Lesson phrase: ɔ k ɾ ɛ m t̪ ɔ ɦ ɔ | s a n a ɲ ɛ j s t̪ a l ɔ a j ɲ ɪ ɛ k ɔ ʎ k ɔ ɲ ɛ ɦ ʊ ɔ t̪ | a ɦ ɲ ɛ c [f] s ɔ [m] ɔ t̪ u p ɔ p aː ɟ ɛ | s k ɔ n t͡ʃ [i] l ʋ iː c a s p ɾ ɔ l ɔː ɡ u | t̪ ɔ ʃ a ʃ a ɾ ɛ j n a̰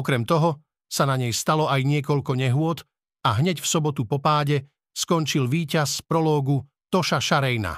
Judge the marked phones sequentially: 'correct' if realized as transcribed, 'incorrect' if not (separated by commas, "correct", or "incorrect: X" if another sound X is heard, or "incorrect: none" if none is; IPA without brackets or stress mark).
correct, incorrect: b, correct